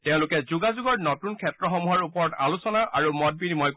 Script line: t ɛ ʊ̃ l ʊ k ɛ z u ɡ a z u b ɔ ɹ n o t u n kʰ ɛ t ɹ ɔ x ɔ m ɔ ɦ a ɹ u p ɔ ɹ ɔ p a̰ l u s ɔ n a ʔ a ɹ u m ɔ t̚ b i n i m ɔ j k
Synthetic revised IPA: t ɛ ʊ̃ l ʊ k ɛ z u ɡ a z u ɡ ɔ ɹ n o t u n kʰ ɛ t ɹ ɔ x ɔ m u ɦ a ɹ u p ɔ ɹ ɔ t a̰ l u s ɔ n a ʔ a ɹ u m ɔ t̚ b i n i m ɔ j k